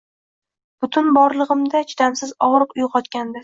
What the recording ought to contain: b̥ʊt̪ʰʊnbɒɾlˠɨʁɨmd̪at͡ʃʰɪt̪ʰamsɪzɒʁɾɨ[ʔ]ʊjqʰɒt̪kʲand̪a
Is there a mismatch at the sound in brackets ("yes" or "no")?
yes